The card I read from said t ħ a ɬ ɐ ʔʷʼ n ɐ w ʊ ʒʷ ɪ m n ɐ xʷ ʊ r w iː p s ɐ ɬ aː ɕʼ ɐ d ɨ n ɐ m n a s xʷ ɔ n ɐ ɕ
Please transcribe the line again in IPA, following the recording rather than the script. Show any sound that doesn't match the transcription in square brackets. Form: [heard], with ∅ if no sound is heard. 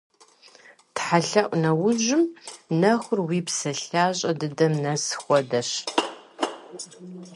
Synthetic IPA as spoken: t ħ a ɬ ɐ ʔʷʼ n ɐ w ʊ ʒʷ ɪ m n ɐ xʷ ʊ r w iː p s ɐ ɬ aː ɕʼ ɐ d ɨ [d] ɐ m n [ɐ] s xʷ ɔ [d] ɐ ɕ